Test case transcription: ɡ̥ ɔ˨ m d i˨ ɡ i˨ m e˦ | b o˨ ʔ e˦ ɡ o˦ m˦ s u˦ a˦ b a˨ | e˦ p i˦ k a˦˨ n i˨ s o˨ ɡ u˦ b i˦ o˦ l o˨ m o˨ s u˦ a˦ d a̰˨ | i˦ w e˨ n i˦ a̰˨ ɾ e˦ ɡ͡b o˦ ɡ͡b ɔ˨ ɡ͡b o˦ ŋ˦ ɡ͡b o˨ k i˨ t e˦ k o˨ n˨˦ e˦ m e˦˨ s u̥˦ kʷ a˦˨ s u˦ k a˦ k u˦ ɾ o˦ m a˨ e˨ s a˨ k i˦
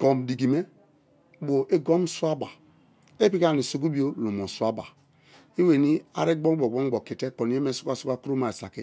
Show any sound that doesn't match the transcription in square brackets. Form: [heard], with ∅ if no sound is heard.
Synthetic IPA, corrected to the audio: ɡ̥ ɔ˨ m d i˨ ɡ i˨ m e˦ | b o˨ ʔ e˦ ɡ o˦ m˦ s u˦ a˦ b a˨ | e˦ p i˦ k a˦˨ n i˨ s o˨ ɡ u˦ b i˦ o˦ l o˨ m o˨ s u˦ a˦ [b] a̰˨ | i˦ w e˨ n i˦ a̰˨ ɾ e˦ ɡ͡b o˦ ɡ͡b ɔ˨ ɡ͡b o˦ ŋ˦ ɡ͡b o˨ k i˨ t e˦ k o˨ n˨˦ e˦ m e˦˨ s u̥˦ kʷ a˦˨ s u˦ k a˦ k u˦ ɾ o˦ m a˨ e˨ s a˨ k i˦

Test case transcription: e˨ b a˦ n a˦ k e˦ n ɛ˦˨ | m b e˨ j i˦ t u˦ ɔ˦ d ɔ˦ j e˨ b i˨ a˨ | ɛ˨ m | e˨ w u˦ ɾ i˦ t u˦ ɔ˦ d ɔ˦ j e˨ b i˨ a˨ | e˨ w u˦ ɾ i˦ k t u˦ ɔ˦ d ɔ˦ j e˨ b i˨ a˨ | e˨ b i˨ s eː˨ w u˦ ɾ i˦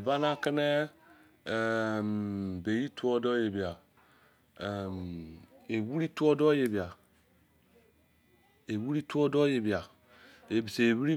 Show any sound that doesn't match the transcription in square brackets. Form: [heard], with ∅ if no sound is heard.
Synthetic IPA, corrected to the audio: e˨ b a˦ n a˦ k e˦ n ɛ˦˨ | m b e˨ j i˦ t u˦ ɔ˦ d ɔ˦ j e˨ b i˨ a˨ | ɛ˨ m | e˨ w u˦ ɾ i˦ t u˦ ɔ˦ d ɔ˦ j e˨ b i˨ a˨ | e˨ w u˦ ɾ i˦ [∅] t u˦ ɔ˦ d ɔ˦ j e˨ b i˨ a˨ | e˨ b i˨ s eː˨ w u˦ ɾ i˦

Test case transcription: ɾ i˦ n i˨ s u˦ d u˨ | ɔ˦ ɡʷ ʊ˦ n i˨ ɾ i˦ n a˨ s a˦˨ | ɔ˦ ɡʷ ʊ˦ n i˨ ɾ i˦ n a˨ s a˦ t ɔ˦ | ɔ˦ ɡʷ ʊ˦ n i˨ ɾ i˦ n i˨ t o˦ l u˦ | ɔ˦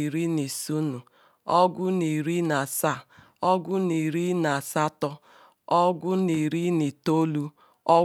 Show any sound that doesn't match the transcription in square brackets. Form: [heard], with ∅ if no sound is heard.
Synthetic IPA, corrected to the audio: ɾ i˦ n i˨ s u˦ [n] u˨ | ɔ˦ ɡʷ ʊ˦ n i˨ ɾ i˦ n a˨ s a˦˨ | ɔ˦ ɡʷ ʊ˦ n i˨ ɾ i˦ n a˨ s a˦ t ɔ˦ | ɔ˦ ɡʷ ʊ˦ n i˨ ɾ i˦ n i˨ t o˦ l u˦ | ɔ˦

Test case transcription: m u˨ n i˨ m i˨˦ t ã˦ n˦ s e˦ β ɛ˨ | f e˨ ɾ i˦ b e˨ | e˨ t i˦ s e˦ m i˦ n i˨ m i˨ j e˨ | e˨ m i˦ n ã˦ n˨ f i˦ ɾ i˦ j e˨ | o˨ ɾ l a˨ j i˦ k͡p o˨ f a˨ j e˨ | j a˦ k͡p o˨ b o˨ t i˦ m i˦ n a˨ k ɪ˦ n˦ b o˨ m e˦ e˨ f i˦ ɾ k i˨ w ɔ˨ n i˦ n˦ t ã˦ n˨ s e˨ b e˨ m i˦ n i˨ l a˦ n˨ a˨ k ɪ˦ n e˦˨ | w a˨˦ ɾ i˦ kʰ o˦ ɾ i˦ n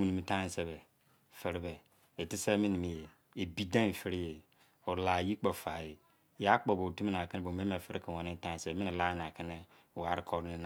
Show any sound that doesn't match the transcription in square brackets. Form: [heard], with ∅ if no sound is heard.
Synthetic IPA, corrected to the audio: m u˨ n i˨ m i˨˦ t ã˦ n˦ s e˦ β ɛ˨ | f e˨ ɾ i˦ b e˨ | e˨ t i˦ s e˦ m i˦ n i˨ m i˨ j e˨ | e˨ [b] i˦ [d] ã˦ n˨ f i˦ ɾ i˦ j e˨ | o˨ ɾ l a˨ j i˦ k͡p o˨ f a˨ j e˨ | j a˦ k͡p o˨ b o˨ t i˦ m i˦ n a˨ k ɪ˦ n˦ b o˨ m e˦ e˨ f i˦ ɾ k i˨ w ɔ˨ n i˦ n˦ t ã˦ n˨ s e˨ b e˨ m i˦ n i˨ l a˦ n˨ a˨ k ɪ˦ n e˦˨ | w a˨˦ ɾ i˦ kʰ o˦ ɾ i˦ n

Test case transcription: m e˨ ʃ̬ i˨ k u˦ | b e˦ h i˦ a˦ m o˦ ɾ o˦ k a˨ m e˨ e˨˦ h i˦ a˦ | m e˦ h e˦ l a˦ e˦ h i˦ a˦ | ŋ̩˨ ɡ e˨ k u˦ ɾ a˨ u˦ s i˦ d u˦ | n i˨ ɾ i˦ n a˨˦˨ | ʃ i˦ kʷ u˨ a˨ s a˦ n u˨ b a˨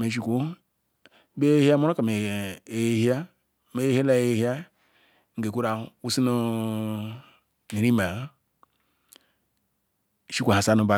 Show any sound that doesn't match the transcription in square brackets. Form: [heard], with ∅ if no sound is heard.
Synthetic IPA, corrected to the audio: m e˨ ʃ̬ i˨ k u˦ | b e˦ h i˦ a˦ m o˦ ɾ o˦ k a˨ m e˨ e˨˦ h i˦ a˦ | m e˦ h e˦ l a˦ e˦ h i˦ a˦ | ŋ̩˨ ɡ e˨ k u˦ ɾ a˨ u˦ s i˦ [n] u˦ | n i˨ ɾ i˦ [m] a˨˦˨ | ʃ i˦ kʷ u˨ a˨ s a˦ n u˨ b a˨

